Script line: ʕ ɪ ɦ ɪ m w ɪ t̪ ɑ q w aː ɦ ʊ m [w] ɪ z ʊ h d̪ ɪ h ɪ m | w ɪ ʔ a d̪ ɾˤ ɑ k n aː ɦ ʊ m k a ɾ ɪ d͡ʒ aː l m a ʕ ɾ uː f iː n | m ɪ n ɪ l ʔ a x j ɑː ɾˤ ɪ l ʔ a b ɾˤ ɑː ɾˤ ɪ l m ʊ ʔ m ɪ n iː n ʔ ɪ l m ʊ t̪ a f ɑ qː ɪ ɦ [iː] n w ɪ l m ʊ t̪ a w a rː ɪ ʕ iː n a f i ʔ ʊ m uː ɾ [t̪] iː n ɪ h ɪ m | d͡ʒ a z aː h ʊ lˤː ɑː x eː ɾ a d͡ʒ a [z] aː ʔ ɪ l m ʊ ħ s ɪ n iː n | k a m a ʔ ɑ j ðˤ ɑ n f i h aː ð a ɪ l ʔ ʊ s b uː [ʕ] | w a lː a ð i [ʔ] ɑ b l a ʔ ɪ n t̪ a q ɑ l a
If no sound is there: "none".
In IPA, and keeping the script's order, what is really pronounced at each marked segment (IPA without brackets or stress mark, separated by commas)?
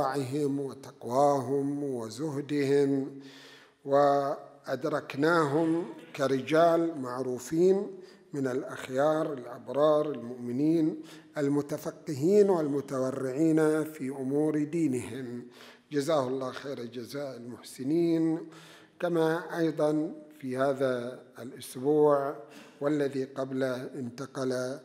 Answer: w, iː, d̪, z, ʕ, q